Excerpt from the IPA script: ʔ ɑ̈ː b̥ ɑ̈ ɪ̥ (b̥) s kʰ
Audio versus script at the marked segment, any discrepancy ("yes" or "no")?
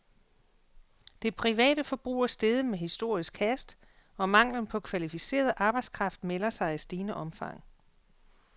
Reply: yes